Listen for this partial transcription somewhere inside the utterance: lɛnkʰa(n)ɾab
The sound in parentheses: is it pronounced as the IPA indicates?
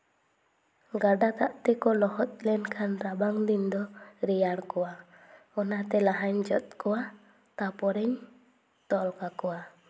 yes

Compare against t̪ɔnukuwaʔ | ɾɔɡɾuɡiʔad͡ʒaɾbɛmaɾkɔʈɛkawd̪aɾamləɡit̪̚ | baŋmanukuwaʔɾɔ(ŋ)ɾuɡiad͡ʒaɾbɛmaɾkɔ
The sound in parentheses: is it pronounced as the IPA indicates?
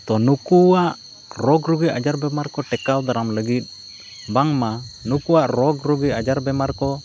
no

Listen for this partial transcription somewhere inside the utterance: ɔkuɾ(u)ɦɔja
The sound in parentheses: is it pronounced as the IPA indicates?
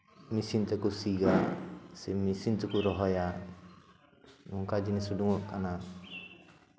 no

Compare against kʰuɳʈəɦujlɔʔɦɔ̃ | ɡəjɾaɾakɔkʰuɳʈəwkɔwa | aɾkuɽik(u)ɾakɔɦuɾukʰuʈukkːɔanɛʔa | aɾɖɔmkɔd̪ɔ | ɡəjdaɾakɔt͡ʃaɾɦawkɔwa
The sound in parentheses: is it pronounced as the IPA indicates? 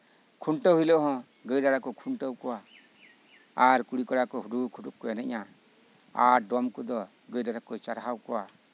no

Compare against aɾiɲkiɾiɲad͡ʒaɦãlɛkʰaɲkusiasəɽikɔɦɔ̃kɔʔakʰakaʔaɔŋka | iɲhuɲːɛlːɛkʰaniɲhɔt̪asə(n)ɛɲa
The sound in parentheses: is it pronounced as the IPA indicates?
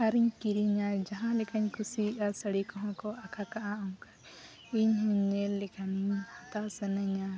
yes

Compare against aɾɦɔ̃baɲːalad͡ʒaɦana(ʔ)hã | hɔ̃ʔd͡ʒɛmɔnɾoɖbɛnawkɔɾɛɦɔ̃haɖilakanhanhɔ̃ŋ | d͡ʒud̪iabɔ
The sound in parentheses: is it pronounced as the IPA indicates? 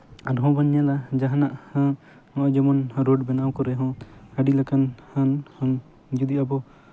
yes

